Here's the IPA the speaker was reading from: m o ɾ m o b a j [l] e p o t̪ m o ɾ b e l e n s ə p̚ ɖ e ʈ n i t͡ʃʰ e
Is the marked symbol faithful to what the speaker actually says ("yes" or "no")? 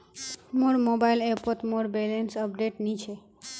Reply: yes